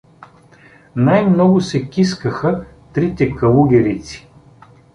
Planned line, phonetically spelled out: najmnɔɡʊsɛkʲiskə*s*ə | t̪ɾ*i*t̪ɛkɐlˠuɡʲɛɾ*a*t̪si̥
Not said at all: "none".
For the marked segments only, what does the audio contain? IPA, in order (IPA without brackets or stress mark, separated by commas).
x, i, i